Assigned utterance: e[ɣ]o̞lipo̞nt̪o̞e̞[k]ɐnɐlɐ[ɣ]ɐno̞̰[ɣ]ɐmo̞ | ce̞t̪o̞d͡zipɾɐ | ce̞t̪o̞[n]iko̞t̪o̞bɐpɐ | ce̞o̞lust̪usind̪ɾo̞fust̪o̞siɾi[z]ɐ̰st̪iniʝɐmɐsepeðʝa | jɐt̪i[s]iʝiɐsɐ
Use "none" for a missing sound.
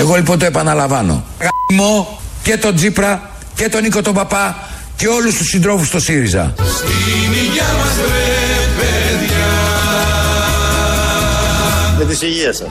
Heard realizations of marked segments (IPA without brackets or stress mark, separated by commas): ɣ, p, v, ɣ, n, z, s